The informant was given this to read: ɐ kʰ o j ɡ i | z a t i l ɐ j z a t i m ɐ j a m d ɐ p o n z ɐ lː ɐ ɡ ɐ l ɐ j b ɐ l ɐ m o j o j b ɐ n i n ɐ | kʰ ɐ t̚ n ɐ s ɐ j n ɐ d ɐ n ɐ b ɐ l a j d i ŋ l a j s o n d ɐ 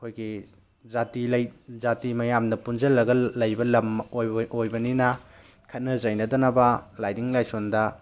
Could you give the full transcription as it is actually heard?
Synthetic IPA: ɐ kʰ o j ɡ i | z a t i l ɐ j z a t i m ɐ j a m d ɐ p u n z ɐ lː ɐ ɡ ɐ l ɐ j b ɐ l ɐ m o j o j b ɐ n i n ɐ | kʰ ɐ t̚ n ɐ z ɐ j n ɐ d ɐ n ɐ b ɐ l a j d i ŋ l a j s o n d ɐ